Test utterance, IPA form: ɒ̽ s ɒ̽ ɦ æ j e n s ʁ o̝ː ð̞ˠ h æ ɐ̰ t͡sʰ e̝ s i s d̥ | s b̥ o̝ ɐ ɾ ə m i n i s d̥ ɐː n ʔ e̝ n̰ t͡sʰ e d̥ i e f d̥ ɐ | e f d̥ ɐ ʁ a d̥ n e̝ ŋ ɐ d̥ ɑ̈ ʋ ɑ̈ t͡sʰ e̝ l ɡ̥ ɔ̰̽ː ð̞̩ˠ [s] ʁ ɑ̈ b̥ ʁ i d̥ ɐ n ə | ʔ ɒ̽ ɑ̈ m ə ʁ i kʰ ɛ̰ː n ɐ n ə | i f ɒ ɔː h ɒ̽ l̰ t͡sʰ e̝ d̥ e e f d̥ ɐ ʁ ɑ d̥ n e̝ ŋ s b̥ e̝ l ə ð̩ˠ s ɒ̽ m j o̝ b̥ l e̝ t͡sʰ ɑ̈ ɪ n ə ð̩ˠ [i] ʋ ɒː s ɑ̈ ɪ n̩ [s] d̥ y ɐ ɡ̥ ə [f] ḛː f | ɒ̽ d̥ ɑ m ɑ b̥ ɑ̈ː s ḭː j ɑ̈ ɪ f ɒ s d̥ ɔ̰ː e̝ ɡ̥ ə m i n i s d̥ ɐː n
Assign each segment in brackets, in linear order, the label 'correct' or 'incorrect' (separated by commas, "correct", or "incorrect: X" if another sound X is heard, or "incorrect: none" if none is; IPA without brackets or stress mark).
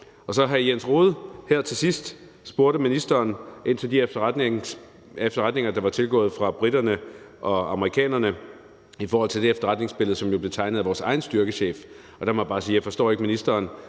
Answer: incorrect: f, incorrect: æ, correct, incorrect: ɕ